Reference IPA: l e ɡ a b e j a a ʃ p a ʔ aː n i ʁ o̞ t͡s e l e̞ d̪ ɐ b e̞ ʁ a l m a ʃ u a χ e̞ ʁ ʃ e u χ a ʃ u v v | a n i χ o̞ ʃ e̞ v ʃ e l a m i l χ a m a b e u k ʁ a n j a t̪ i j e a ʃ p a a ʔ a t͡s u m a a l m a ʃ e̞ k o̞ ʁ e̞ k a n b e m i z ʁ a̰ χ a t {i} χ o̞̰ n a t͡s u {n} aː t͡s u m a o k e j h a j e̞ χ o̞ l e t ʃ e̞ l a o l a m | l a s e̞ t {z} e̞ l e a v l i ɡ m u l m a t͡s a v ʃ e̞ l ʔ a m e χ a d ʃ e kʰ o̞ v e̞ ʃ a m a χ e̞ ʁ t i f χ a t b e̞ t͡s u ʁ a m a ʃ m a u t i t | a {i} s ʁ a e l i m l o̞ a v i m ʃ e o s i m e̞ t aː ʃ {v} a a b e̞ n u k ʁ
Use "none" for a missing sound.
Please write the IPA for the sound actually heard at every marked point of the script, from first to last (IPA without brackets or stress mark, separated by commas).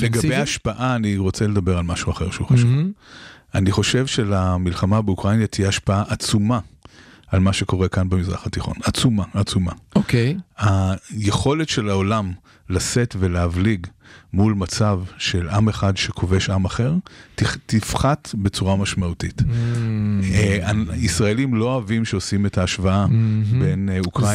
i, m, v, i, v